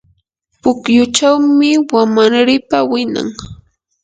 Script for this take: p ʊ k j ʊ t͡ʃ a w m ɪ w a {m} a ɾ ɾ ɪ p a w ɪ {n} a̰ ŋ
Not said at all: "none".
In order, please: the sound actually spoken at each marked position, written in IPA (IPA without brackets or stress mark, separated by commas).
m, n